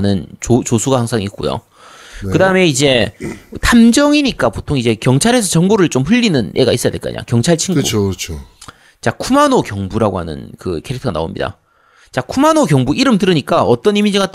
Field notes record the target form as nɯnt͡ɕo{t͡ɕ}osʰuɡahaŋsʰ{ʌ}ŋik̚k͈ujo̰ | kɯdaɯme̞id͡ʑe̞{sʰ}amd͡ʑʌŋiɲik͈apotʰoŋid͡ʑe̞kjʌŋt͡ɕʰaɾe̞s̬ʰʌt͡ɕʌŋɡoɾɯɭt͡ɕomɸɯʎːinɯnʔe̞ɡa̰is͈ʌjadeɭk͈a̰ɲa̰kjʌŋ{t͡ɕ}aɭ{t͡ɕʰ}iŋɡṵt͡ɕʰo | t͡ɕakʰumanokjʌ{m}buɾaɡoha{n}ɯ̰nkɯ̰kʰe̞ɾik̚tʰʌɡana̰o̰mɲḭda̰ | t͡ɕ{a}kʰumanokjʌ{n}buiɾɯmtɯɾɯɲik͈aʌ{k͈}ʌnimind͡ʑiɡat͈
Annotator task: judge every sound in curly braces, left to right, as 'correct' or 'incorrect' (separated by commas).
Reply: correct, incorrect, incorrect, incorrect, correct, incorrect, correct, correct, incorrect, incorrect